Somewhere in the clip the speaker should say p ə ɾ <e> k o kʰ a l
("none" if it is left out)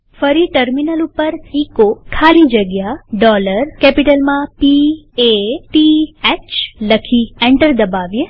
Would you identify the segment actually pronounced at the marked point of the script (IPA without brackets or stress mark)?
i